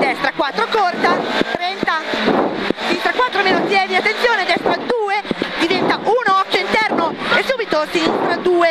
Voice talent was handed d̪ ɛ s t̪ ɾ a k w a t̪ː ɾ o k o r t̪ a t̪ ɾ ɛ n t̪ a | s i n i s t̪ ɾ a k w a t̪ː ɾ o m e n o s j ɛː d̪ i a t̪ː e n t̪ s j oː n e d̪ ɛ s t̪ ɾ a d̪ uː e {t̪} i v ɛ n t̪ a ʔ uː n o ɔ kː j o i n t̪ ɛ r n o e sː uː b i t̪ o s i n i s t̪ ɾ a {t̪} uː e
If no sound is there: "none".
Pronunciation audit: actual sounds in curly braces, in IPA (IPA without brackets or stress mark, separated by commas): d̪, d̪